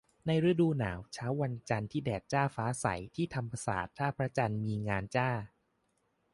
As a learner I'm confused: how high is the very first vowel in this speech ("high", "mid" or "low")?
low